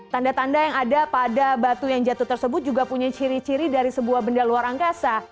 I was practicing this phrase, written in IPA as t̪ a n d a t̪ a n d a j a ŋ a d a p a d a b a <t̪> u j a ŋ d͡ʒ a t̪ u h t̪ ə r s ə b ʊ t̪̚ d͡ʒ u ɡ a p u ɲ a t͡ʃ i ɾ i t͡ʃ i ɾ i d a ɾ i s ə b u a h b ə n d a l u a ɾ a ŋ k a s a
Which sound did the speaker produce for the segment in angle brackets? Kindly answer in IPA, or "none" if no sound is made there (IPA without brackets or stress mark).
t̪